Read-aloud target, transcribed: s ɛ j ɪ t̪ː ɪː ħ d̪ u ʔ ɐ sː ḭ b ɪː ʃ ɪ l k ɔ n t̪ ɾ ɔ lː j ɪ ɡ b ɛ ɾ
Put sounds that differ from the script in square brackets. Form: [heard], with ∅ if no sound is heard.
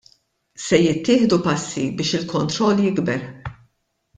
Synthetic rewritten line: s ɛ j ɪ t̪ː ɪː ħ d̪ u [p] ɐ sː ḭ b ɪː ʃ ɪ l k ɔ n t̪ ɾ ɔ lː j ɪ ɡ b ɛ ɾ